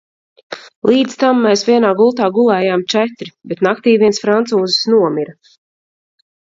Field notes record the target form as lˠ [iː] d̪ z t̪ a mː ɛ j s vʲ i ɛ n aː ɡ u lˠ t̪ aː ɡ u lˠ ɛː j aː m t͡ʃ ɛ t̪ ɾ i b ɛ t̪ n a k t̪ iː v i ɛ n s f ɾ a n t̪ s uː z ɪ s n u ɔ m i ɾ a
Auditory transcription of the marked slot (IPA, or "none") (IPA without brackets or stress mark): iː